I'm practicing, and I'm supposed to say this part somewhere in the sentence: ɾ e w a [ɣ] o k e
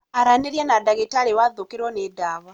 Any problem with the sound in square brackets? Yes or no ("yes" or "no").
yes